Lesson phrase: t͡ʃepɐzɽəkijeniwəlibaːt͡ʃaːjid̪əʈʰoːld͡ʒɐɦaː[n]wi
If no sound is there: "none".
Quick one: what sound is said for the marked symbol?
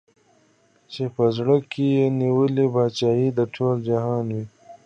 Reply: n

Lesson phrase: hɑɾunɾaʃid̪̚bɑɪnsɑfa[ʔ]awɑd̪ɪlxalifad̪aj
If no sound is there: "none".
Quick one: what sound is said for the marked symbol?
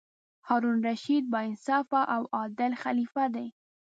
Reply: ʔ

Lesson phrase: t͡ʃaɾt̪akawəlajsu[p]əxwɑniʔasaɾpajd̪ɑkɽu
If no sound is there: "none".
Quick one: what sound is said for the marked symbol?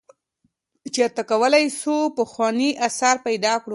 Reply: p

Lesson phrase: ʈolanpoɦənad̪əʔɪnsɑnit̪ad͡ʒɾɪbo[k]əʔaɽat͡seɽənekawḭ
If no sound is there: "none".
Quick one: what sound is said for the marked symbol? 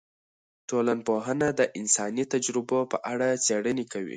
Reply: p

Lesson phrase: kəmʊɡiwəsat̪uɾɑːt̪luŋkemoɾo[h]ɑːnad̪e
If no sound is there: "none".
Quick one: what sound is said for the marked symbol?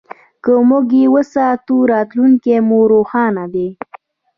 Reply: x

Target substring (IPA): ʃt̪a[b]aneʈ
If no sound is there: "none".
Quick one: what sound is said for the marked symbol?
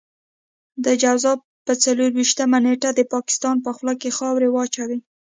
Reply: m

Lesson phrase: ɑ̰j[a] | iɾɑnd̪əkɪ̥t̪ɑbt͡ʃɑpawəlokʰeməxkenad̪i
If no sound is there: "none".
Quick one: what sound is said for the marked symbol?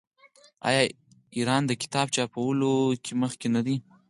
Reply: ɑ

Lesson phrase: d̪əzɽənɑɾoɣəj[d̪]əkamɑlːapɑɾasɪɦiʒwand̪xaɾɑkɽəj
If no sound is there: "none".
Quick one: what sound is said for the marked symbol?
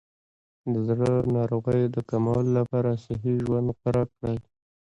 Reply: d̪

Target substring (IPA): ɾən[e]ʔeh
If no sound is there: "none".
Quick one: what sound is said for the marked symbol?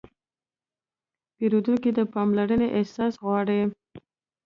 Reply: e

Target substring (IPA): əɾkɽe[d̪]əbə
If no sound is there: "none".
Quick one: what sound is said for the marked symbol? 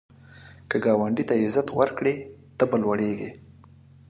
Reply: t̪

